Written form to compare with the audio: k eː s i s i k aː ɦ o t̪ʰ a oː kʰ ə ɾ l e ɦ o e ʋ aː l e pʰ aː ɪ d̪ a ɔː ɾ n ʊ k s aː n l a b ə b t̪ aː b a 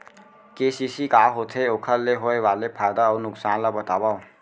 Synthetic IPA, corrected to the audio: k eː s i s i k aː ɦ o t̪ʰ e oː kʰ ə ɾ l e ɦ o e ʋ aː l e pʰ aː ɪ d̪ a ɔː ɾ n ʊ k s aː n l a b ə t̪ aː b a